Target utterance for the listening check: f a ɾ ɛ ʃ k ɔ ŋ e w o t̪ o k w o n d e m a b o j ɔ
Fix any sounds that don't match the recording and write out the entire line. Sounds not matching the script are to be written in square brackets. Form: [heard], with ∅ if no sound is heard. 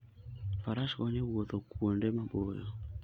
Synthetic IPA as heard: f a ɾ [a] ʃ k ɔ [ɲ] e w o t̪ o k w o n d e m a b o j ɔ